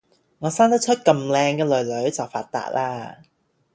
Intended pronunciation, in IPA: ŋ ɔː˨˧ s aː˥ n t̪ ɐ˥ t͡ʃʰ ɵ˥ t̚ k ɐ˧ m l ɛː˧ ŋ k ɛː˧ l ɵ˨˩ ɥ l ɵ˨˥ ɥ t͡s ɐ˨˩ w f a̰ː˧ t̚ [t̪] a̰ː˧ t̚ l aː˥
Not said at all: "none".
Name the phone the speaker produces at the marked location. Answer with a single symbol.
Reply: t̪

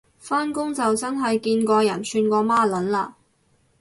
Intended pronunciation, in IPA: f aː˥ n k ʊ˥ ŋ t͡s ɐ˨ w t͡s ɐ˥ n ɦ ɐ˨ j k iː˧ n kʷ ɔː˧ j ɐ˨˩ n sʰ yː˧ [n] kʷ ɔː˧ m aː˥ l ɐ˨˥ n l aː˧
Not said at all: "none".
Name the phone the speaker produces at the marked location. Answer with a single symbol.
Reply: n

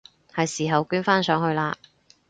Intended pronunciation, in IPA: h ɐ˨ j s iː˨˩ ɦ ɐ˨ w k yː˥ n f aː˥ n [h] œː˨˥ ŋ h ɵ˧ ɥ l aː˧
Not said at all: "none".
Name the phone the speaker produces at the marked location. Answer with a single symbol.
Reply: s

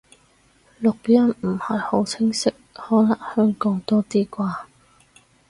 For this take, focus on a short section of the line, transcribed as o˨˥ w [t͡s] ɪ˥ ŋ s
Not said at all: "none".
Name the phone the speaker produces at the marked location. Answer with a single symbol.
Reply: t͡sʰ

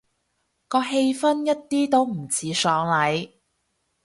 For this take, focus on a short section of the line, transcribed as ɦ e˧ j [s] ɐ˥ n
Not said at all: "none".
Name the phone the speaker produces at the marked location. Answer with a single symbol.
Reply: f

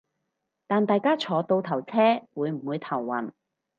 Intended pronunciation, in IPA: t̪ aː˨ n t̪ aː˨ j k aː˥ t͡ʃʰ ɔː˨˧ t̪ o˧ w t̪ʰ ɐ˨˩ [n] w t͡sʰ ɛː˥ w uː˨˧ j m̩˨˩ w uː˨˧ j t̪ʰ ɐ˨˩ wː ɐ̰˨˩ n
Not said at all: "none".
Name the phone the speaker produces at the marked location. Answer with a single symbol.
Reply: none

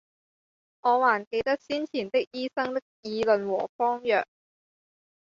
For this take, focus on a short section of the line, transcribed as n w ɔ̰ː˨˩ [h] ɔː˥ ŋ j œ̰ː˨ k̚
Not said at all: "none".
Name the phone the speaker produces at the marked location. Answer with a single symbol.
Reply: f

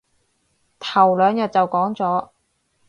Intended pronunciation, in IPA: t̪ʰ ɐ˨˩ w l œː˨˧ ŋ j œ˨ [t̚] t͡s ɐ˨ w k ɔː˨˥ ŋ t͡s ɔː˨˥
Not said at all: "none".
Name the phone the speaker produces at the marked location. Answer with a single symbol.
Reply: t̚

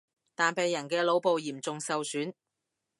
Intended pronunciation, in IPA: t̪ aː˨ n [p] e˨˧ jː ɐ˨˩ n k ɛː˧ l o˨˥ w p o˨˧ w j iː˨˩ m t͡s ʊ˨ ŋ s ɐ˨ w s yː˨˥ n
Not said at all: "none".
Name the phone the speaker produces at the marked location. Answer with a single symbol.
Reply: p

